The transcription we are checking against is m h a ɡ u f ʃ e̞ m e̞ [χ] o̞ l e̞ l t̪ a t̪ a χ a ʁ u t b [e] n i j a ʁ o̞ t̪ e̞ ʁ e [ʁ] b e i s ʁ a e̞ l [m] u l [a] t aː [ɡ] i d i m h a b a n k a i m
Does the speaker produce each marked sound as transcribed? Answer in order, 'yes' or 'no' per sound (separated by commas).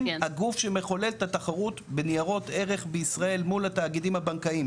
yes, yes, no, yes, yes, yes